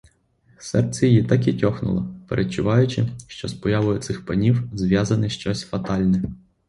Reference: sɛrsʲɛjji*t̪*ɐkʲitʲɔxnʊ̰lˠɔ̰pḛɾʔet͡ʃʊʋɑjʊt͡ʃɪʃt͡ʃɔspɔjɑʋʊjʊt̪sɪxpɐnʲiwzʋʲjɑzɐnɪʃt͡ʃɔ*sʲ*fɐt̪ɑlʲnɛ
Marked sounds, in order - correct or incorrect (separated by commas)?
correct, correct